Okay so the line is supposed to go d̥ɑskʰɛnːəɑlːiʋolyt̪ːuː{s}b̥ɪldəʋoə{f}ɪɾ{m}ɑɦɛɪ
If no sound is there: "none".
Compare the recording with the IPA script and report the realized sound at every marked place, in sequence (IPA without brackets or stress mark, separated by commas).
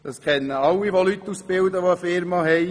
s, f, m